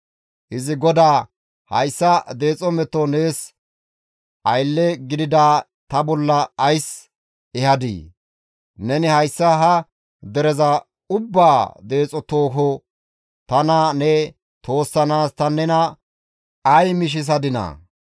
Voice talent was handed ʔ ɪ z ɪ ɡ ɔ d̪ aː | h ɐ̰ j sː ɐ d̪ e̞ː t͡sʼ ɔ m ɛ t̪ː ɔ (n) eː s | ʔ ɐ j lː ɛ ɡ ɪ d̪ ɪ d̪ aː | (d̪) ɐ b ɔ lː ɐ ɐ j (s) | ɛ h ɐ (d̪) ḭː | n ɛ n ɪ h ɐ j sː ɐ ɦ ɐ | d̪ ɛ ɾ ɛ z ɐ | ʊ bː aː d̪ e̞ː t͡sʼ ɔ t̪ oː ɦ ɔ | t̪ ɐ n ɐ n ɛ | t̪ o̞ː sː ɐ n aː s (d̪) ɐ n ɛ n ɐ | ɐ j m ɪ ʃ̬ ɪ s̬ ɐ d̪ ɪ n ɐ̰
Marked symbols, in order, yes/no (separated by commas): yes, no, yes, yes, no